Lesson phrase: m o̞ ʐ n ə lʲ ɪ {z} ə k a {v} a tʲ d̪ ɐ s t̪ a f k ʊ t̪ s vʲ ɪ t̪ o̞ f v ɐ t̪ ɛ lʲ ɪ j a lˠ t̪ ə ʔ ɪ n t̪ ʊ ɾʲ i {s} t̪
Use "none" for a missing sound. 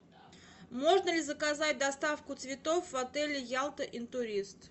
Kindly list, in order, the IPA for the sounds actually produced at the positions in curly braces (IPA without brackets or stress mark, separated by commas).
z, z, s